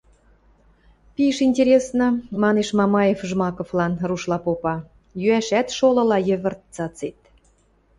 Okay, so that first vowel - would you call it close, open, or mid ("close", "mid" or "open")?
close